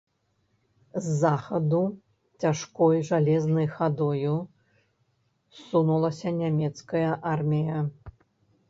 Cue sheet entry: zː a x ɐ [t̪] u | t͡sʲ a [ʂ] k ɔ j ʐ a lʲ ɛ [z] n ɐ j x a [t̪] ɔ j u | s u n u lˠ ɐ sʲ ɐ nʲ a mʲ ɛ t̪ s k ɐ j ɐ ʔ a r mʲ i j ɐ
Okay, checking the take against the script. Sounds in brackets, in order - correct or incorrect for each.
incorrect, correct, correct, incorrect

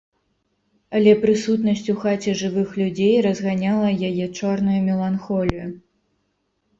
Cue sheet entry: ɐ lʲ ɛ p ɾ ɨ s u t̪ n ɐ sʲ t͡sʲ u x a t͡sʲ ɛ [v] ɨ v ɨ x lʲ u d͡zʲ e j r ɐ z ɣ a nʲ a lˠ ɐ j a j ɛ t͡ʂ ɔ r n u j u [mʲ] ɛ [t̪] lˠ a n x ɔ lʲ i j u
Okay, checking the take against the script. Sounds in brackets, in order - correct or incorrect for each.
incorrect, correct, incorrect

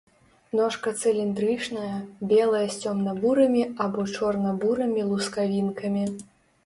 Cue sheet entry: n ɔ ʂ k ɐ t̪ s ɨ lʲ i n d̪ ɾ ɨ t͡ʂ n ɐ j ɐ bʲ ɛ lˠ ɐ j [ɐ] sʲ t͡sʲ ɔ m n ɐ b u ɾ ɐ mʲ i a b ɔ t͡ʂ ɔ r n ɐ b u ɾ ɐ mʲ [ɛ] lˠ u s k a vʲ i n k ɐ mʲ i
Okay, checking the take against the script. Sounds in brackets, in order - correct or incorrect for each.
correct, incorrect

